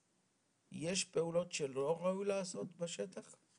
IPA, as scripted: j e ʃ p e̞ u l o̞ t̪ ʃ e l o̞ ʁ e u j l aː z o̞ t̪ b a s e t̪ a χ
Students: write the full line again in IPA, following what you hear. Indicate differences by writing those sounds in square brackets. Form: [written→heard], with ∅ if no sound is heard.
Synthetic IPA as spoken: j e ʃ p e̞ u l o̞ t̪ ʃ e l o̞ ʁ [e→a] u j l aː [z→s] o̞ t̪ b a [s→ʃ] e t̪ a χ